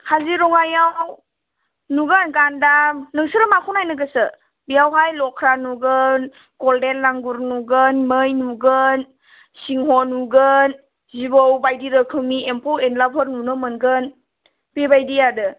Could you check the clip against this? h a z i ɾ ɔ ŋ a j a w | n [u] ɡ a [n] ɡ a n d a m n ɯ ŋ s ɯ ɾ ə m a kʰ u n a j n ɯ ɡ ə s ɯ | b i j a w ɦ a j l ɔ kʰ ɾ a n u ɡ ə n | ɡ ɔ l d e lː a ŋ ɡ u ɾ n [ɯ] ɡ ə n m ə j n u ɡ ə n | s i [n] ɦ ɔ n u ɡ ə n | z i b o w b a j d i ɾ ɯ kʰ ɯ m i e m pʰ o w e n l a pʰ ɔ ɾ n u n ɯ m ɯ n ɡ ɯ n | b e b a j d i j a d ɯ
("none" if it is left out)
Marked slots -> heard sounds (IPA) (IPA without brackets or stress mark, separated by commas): u, n, u, ŋ